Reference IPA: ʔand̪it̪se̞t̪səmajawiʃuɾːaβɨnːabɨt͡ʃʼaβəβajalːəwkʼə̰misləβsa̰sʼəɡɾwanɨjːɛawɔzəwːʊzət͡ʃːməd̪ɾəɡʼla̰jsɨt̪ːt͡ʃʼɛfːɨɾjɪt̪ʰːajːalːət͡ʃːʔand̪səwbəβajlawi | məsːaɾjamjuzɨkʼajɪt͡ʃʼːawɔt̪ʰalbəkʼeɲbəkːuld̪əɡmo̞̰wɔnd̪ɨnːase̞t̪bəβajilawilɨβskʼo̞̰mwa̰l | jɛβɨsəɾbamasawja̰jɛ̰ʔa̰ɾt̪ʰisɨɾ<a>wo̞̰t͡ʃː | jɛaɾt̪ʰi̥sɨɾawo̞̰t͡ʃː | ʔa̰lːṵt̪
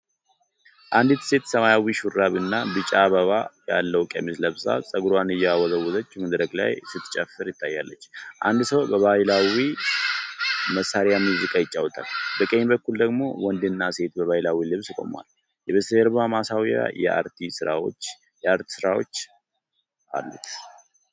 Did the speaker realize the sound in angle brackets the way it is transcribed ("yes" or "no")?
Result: yes